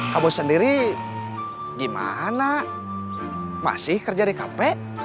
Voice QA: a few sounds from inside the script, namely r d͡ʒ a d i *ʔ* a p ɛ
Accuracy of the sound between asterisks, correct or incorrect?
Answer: incorrect: k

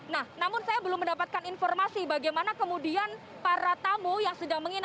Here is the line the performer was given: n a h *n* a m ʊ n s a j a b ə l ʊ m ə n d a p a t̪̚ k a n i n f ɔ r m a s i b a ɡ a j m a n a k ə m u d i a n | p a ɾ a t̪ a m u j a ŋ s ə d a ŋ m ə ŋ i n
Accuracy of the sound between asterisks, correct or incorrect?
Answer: correct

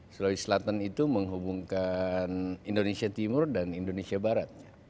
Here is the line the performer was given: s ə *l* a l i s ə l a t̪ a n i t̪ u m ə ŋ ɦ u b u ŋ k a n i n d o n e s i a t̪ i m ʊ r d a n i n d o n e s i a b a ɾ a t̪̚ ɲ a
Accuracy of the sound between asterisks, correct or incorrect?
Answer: correct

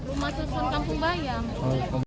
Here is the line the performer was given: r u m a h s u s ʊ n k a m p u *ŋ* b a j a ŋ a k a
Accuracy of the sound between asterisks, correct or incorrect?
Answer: correct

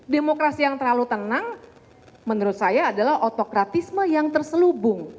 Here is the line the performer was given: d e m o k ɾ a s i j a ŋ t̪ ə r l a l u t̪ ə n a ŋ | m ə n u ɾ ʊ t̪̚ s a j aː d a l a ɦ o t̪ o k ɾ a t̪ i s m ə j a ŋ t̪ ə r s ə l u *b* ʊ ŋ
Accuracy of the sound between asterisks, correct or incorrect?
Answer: correct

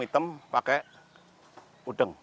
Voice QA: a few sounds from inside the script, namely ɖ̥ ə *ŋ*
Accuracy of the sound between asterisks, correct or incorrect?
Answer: correct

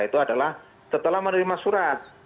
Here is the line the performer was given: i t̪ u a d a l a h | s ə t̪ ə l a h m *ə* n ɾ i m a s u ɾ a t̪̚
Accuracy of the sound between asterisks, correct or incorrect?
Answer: correct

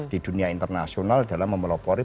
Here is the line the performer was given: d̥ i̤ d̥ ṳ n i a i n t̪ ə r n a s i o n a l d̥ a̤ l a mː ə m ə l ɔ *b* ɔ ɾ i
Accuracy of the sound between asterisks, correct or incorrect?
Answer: incorrect: p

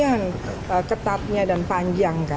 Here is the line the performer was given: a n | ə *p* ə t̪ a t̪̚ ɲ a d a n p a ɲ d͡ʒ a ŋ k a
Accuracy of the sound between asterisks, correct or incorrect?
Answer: incorrect: k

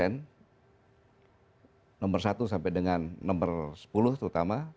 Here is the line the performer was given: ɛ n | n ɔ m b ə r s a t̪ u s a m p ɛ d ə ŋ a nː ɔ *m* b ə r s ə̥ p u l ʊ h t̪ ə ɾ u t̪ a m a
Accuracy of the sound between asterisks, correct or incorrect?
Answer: correct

